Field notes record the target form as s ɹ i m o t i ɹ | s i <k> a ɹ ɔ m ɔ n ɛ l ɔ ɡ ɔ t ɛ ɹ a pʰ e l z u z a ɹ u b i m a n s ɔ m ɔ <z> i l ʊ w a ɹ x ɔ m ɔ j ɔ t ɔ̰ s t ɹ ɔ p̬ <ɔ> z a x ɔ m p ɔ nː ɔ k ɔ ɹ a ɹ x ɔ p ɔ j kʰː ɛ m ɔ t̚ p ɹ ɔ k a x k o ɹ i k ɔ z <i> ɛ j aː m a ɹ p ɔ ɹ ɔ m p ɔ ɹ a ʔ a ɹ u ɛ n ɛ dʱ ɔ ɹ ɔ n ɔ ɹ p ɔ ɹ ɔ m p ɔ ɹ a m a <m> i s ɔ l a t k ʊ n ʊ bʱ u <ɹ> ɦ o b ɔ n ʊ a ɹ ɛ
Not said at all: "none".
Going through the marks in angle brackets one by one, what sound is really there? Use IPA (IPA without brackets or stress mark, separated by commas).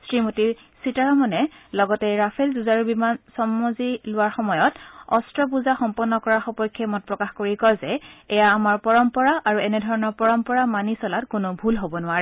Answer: t, z, u, ɛ, n, l